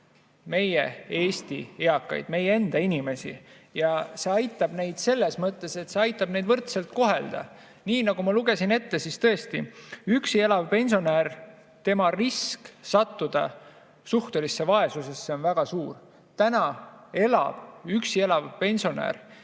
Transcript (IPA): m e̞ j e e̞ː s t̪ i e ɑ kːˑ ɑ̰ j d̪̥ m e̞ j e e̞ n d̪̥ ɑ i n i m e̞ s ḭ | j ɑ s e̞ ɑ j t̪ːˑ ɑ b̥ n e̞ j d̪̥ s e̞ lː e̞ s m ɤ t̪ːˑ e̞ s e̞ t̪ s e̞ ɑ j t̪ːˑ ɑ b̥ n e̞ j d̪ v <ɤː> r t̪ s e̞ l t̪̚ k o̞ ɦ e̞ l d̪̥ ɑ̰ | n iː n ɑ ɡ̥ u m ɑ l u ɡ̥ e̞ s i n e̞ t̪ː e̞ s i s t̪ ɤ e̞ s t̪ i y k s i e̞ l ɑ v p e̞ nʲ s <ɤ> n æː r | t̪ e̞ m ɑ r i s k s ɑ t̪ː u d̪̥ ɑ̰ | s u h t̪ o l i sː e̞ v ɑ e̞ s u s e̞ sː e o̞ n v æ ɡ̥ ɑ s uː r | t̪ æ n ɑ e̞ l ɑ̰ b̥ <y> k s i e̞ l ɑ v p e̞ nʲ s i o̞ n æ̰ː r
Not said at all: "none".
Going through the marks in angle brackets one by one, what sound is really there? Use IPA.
ɤ, o, y

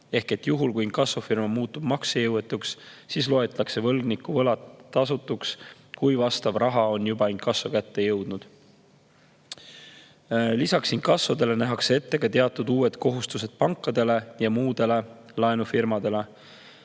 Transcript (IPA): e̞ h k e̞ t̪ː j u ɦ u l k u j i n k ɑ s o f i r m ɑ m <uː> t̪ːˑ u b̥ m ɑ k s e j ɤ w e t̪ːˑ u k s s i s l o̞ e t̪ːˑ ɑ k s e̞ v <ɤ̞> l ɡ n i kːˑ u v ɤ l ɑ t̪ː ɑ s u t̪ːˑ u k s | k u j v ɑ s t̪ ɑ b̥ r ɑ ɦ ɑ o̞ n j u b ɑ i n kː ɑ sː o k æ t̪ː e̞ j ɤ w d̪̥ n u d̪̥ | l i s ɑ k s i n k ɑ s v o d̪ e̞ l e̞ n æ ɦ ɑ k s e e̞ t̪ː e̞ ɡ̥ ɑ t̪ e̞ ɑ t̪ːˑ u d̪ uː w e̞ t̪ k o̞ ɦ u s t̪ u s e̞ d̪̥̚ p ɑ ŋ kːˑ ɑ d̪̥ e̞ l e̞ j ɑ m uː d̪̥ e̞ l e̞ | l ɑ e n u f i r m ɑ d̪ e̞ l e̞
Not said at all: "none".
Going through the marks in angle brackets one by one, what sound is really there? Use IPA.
uː, ɤ̞

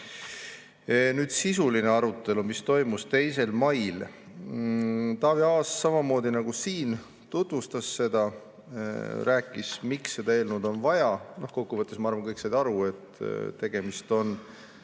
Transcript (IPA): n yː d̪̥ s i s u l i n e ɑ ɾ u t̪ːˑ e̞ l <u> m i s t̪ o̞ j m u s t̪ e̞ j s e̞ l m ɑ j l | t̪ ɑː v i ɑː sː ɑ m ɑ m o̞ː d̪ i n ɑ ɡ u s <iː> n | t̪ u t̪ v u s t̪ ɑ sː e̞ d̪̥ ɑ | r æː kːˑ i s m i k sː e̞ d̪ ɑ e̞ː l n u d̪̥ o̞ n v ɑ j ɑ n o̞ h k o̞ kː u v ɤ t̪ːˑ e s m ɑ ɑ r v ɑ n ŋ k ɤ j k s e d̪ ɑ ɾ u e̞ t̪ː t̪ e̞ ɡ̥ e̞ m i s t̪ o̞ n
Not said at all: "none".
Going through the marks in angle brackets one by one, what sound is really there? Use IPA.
u, iː

